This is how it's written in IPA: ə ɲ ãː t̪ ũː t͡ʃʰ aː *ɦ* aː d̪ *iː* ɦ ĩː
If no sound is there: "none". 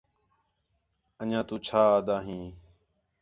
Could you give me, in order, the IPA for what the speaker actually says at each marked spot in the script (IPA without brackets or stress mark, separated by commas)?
none, aː